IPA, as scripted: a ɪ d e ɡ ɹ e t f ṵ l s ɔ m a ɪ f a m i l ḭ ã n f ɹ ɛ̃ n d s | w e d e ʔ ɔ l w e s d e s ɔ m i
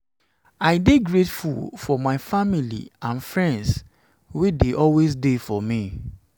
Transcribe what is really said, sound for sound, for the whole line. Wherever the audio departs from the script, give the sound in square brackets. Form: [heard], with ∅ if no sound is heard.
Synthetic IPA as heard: a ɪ d e ɡ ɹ e t f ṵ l [f] ɔ m a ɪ f a m i l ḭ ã n f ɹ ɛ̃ n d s | w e d e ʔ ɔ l w e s d e [f] ɔ m i

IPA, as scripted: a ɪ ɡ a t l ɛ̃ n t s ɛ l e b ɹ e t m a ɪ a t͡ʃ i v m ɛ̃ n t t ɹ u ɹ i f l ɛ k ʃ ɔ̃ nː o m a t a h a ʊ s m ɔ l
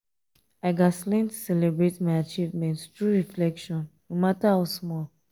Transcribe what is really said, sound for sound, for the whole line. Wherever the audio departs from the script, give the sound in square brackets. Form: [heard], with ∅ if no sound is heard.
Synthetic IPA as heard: a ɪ ɡ a [s] l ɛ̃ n t s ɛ l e b ɹ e t m a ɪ a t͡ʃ i v m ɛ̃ n t t ɹ u ɹ i f l ɛ k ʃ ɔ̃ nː o m a t a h a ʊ s m ɔ l

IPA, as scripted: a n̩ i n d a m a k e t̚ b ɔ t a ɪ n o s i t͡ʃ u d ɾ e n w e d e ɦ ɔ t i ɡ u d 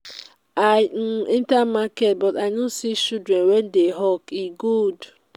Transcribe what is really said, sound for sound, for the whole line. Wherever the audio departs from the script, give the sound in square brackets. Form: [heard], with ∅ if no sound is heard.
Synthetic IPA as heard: a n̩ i n [t] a m a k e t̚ b ɔ t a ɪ n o s i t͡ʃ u d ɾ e n w e d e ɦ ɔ [k] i ɡ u d

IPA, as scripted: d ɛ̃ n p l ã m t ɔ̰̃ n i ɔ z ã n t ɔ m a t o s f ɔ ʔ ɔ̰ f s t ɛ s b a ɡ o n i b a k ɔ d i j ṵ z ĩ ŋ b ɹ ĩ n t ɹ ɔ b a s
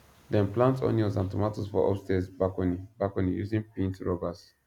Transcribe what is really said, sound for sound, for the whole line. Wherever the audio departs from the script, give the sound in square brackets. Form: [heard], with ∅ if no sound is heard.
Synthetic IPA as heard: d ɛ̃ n p l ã [n] t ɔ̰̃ n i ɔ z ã n t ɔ m a t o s f ɔ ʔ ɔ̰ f s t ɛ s b a [k] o n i b a k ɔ [n] i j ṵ z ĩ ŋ [p] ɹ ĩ n t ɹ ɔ b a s

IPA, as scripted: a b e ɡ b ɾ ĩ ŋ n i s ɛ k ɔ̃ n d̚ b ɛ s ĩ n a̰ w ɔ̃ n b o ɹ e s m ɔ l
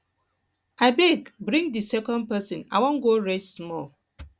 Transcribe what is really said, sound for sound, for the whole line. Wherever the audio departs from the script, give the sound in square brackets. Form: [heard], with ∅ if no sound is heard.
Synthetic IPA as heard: a b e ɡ b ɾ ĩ ŋ [d] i s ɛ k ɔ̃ n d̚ [p] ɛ s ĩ n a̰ w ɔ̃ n [ɡ] o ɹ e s m ɔ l

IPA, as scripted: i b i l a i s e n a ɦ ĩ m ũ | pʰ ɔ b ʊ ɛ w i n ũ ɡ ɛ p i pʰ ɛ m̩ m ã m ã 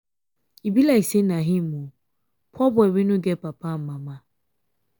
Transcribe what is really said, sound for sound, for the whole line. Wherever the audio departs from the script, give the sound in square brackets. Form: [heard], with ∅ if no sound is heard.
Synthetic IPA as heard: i b i l a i s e n a ɦ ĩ m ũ | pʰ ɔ b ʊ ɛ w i n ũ ɡ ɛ p [a] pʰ [a] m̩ m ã m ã

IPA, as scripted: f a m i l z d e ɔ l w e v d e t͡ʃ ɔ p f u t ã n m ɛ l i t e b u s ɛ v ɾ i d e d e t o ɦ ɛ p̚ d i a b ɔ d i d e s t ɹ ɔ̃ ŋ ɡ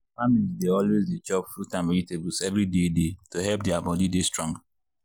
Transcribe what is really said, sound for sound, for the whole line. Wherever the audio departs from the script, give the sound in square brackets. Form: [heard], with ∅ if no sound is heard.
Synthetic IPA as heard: f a m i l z d e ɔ l w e [z] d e t͡ʃ ɔ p f u t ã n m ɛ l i t e b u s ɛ v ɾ i d e d e t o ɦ ɛ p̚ d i a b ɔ d i d e s t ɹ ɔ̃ ŋ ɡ

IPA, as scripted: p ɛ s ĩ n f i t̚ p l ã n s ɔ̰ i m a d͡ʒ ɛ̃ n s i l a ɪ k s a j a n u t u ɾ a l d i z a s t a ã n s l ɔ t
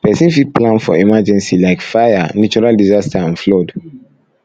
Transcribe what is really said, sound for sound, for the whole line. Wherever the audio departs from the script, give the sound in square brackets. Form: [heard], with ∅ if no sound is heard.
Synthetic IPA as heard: p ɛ s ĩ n f i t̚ p l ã n [f] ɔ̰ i m a d͡ʒ ɛ̃ n s i l a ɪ k [f] a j a n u [t͡ʃ] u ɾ a l d i z a s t a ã n [f] l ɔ [d]

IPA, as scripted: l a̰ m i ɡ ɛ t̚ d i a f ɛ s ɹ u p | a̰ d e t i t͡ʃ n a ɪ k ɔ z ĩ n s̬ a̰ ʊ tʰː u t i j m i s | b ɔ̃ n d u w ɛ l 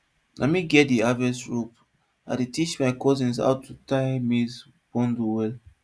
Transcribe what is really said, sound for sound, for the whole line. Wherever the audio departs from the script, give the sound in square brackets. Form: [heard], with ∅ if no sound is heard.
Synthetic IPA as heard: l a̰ m i ɡ ɛ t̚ d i a [v] ɛ s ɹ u p | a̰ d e t i t͡ʃ [m] a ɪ k ɔ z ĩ n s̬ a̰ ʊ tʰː u t [a] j m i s | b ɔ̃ n d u w ɛ l

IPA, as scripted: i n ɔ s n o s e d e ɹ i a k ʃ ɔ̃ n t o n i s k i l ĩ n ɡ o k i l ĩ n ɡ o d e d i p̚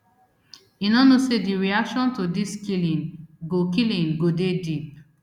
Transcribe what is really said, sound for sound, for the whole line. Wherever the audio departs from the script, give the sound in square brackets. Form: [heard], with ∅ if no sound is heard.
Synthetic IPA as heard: i n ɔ [∅] n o s e d [i] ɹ i a k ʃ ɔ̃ n t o [d] i s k i l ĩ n ɡ o k i l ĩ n ɡ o d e d i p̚

